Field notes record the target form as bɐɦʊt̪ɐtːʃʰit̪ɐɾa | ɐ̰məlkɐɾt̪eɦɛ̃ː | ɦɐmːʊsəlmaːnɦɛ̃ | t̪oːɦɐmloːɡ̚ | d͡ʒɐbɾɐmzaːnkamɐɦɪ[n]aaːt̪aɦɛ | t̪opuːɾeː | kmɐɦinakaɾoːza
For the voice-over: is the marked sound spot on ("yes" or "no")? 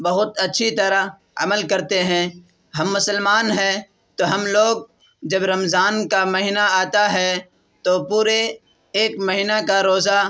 yes